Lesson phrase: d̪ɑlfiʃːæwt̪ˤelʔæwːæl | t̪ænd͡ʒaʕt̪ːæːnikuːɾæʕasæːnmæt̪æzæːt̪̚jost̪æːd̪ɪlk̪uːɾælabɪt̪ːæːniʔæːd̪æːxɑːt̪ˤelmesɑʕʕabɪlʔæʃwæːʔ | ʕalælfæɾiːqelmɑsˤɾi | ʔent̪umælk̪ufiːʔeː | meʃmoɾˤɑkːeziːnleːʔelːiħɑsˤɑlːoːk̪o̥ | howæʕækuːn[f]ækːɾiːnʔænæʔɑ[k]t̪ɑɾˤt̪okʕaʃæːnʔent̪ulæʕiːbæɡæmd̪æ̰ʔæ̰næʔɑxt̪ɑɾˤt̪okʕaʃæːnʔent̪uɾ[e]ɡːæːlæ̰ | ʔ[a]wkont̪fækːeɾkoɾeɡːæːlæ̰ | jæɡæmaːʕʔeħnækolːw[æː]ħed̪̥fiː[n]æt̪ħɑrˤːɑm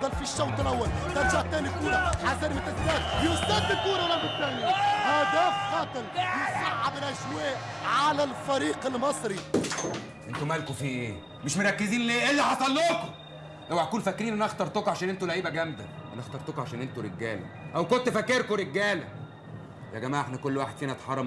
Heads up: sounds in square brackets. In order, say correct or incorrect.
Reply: correct, incorrect, correct, incorrect, incorrect, correct

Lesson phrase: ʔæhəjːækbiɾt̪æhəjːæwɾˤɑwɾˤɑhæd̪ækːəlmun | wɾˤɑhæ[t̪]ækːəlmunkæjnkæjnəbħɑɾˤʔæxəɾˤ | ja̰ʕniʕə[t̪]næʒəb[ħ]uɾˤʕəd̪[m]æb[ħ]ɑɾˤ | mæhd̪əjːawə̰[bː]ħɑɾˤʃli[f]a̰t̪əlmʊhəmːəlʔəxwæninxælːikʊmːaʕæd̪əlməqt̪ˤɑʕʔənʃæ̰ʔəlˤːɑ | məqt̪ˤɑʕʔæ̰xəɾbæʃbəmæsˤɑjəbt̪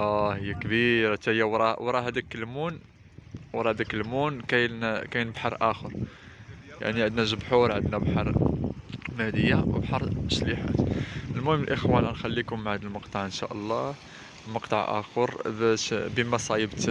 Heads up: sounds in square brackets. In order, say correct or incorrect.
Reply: incorrect, incorrect, correct, incorrect, correct, incorrect, incorrect

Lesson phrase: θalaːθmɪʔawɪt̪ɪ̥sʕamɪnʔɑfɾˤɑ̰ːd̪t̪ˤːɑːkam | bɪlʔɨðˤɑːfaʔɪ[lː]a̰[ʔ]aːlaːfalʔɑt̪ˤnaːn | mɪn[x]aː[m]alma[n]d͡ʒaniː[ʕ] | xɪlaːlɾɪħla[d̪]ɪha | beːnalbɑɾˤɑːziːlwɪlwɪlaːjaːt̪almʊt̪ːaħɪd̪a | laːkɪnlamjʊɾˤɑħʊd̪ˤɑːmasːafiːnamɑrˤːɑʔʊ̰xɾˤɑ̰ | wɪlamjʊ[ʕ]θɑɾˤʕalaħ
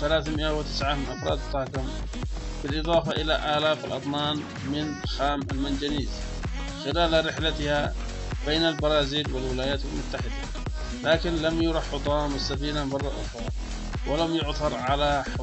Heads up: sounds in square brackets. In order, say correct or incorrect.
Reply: incorrect, correct, correct, correct, correct, incorrect, incorrect, correct

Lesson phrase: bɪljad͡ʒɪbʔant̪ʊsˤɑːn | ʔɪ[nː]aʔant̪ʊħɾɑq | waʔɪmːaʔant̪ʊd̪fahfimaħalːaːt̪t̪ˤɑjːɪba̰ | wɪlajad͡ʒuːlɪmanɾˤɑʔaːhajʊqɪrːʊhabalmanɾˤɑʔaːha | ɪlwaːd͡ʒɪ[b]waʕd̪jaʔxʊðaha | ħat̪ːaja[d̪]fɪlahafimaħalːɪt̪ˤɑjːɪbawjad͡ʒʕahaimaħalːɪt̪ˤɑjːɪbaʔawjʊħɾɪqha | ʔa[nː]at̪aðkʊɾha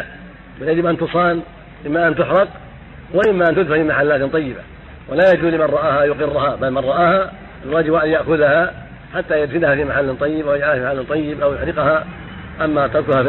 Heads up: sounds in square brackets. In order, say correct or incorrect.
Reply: incorrect, correct, correct, incorrect

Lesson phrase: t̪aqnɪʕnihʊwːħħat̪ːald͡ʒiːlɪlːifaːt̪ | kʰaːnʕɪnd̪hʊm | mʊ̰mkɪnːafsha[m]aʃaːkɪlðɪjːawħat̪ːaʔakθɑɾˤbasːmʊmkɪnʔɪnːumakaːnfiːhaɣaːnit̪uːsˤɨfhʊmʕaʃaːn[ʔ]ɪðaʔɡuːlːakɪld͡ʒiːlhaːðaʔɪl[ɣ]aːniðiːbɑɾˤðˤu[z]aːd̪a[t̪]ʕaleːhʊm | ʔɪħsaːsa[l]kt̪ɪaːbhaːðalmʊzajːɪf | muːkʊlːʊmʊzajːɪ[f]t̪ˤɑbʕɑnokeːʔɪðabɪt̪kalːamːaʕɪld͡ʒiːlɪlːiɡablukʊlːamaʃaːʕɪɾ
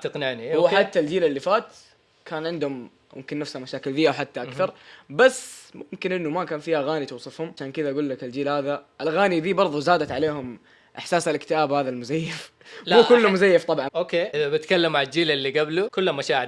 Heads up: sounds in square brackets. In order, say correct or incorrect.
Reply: correct, incorrect, correct, correct, correct, correct, correct

